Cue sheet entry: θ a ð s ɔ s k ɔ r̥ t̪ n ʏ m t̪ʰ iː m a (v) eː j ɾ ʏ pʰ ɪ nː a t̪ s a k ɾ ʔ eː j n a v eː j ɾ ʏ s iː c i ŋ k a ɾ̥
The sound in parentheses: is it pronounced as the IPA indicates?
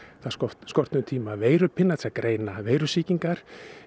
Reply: yes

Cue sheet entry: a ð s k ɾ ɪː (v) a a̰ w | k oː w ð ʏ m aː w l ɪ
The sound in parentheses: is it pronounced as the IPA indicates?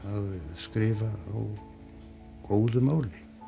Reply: yes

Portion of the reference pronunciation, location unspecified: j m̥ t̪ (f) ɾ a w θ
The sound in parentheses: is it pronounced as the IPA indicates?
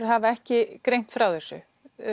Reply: yes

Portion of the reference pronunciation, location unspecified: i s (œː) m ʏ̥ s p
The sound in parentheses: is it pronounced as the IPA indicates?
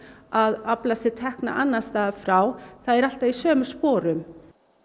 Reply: yes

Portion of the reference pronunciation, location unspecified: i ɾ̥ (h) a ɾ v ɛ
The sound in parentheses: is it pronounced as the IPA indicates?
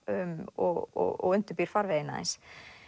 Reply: no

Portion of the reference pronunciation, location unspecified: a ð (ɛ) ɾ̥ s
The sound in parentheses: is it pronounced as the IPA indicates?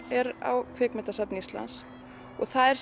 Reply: yes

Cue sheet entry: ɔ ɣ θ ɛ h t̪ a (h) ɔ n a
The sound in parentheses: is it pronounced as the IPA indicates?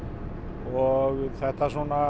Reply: no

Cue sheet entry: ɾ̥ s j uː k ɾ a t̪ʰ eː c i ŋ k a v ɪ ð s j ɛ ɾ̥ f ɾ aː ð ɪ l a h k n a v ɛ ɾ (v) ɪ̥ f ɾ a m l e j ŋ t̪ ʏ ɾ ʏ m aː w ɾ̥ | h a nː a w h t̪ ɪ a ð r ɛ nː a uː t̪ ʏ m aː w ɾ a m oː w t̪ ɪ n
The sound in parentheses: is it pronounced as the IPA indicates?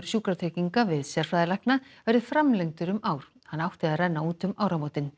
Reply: no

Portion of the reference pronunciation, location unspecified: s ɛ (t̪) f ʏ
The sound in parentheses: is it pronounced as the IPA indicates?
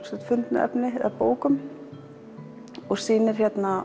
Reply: yes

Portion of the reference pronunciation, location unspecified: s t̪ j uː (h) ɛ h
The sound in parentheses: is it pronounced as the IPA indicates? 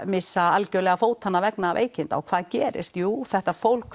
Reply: no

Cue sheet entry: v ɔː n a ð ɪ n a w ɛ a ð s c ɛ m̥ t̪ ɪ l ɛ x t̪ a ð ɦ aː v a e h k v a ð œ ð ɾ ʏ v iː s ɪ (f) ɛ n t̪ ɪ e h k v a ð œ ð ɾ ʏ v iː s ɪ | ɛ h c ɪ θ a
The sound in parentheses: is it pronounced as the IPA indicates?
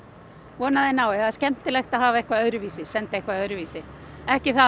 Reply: no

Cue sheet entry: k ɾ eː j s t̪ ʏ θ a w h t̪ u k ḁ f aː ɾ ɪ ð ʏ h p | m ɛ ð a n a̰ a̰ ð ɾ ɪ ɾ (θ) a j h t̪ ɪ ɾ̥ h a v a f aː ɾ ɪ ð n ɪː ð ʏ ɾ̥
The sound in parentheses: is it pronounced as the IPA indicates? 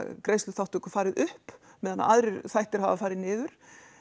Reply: yes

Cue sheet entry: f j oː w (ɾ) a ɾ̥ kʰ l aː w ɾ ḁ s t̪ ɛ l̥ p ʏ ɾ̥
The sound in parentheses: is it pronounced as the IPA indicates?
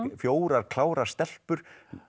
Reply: yes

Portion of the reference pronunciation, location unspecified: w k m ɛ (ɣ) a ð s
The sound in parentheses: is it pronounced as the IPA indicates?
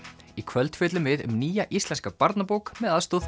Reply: no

